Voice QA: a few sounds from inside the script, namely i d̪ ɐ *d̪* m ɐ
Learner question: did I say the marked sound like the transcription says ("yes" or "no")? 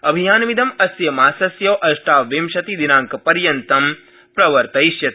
no